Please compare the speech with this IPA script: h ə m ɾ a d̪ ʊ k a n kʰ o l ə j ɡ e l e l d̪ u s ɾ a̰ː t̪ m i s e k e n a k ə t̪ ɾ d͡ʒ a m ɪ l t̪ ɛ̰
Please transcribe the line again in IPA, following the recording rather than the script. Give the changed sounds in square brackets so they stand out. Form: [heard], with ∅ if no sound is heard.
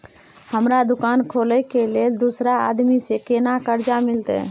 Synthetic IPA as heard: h ə m ɾ a d̪ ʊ k a n kʰ o l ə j [k] e l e l d̪ u s ɾ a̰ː [d̪] m i s e k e n a k ə [∅] ɾ d͡ʒ a m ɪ l t̪ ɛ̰